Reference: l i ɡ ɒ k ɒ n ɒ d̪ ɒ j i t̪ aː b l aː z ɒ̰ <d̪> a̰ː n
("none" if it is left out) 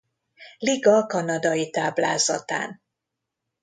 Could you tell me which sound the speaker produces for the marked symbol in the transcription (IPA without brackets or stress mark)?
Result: t̪